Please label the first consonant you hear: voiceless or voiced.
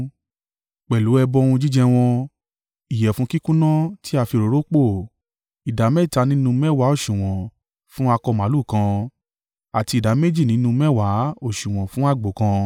voiceless